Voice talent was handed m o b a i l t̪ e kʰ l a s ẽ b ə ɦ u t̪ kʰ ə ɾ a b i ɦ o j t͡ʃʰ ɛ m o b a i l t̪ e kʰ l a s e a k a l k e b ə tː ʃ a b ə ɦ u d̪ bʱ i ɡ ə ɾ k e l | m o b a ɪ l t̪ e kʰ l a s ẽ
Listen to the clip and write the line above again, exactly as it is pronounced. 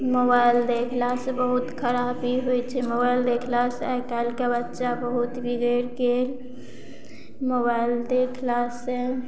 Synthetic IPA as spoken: m o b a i l d̪ e kʰ l a s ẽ b ə ɦ u t̪ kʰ ə ɾ a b i ɦ o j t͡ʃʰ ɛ m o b a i l d̪ e kʰ l a s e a k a l k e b ə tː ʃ a b ə ɦ u t̪ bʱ i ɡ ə ɾ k e l | m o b a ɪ l d̪ e kʰ l a s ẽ